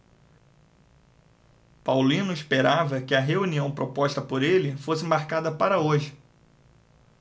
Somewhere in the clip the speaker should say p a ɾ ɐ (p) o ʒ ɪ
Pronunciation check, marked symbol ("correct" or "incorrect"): incorrect